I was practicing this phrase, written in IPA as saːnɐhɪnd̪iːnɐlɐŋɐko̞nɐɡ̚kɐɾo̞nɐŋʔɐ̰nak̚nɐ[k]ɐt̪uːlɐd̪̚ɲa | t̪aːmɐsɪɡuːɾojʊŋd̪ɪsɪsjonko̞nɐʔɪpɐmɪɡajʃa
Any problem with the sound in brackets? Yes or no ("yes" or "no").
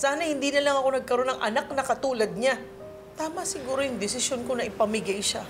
no